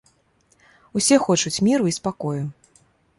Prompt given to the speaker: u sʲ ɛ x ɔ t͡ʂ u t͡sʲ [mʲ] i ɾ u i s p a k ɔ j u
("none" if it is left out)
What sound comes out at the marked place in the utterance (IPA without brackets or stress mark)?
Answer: mʲ